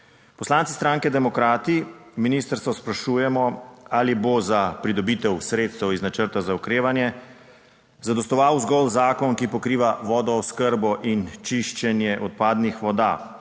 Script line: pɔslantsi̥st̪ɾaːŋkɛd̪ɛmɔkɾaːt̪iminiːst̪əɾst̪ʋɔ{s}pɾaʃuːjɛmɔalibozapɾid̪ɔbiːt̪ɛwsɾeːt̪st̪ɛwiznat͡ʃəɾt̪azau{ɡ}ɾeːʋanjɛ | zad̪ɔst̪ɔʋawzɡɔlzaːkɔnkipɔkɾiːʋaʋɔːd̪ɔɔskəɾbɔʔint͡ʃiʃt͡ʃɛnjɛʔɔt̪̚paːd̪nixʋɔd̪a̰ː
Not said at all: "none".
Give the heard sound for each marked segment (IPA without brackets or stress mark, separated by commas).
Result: s, k